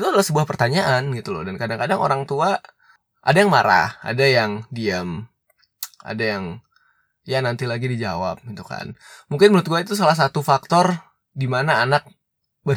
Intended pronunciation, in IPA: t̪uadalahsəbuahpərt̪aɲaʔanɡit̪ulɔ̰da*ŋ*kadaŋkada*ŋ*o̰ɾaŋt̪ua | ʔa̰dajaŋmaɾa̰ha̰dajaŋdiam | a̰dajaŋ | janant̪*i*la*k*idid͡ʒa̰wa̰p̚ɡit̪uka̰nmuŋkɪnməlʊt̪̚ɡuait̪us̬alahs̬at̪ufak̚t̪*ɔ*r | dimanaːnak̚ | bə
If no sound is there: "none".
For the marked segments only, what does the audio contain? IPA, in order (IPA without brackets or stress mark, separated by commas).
n, ŋ, i, ɡ, ɔ